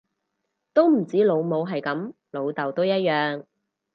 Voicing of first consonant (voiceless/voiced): voiceless